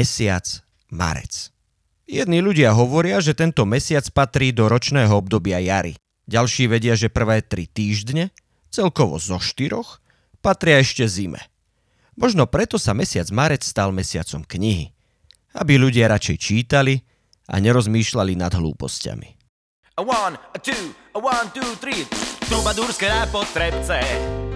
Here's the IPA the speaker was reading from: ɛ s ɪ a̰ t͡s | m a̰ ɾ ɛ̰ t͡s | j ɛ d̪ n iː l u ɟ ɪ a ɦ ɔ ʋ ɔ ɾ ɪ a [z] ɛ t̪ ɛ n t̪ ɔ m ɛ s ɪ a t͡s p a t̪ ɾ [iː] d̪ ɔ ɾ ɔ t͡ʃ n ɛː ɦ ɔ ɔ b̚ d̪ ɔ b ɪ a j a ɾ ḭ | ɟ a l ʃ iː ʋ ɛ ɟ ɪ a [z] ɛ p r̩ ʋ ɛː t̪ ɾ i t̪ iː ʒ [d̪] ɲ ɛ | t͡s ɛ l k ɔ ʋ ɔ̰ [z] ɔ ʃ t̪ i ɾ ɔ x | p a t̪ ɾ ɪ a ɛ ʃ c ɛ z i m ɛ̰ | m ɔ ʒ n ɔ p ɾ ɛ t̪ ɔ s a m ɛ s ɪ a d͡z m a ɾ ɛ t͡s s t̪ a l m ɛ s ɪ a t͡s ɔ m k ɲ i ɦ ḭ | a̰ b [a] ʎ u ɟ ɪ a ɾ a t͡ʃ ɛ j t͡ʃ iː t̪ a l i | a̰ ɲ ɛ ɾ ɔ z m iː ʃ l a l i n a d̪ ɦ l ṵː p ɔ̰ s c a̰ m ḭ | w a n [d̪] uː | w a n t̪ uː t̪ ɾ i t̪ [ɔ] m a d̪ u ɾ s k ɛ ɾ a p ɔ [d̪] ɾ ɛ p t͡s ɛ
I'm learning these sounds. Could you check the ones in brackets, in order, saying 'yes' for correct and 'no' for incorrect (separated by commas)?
no, yes, no, yes, yes, no, no, no, no